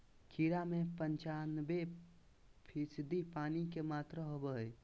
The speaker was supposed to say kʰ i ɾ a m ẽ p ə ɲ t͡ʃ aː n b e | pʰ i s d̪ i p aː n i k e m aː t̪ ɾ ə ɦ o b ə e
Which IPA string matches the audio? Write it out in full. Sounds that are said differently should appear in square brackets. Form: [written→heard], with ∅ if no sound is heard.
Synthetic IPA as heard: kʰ i ɾ a m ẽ p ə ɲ t͡ʃ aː n b e | pʰ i s d̪ i p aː n i k e m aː t̪ ɾ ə ɦ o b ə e